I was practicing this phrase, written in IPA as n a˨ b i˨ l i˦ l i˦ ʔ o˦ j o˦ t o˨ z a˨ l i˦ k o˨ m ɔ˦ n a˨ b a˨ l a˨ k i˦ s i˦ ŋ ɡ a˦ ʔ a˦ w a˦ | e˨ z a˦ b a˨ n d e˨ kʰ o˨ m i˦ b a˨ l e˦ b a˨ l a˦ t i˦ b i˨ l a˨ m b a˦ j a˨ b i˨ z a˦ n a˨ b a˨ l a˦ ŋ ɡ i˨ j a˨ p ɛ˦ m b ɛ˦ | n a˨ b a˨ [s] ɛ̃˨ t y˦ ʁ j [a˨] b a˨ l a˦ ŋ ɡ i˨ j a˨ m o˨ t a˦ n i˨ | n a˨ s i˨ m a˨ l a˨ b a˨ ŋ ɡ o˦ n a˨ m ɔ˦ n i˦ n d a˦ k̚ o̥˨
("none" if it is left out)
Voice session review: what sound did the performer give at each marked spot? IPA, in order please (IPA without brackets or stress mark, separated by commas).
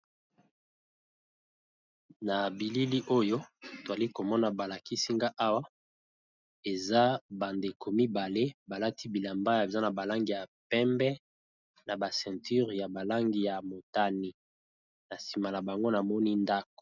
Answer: s, a˨